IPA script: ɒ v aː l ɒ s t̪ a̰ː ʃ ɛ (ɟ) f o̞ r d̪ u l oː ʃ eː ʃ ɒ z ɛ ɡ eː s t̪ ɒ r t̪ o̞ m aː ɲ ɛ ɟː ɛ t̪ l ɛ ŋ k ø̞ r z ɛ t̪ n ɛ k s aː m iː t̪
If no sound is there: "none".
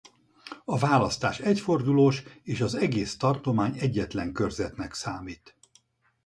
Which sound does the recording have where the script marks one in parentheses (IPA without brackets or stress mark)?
c